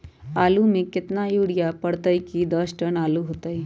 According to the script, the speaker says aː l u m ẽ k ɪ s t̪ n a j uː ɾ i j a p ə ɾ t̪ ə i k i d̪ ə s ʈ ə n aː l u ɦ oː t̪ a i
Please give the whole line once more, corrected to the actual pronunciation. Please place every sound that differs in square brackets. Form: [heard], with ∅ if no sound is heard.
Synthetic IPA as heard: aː l u m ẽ k ɪ [∅] t̪ n a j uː [ɽ] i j a p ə [ɽ] t̪ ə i k i d̪ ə s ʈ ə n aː l u ɦ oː t̪ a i